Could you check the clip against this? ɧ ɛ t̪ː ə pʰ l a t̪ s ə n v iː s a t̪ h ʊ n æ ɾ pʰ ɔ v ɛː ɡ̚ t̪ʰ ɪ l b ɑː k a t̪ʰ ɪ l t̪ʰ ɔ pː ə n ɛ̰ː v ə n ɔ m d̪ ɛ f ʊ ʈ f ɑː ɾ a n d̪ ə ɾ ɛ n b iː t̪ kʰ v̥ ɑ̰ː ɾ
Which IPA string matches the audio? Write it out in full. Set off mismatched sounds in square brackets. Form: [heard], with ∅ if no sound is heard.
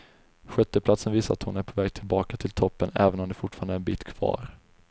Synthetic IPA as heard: ɧ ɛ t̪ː ə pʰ l a t̪ s ə n v iː s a t̪ h ʊ n æ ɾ pʰ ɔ v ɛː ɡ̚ t̪ʰ ɪ l b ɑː k a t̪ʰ ɪ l t̪ʰ ɔ pː ə n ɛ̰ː v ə n ɔ m d̪ ɛ f ʊ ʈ f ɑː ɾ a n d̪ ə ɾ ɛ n b iː t̪ kʰ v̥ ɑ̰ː ɾ